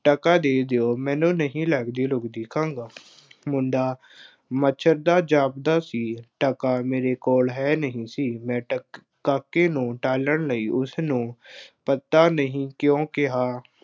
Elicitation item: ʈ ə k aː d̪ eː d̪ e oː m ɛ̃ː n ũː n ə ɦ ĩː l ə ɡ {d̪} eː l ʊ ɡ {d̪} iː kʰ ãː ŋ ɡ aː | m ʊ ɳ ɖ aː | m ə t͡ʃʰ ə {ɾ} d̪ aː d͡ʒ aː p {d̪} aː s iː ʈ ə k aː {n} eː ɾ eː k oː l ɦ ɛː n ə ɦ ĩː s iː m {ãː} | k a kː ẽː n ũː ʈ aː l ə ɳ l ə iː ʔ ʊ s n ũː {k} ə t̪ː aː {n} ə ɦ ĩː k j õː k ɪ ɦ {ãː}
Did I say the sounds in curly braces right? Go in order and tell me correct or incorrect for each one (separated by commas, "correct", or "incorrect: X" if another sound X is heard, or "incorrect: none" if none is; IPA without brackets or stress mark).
correct, correct, correct, correct, incorrect: m, incorrect: ɛ̃ː, incorrect: p, correct, incorrect: aː